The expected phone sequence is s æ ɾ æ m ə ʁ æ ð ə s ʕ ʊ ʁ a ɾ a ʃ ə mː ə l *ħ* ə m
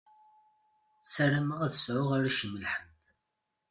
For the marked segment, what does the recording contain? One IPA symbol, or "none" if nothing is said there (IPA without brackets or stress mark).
ħ